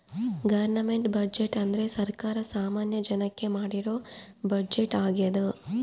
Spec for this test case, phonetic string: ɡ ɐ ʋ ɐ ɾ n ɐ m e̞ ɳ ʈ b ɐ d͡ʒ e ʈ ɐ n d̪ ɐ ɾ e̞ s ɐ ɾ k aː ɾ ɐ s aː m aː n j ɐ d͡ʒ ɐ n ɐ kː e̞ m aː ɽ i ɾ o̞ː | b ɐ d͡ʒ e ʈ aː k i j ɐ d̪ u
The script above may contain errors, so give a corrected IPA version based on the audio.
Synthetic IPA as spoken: ɡ ɐ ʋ ɐ ɾ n ɐ m e̞ ɳ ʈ b ɐ d͡ʒ e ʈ ɐ n d̪ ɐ ɾ e̞ s ɐ ɾ k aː ɾ ɐ s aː m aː n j ɐ d͡ʒ ɐ n ɐ kː e̞ m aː ɽ i ɾ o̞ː | b ɐ d͡ʒ e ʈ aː ɡ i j ɐ d̪ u